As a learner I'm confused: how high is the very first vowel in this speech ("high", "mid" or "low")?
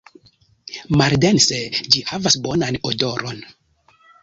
low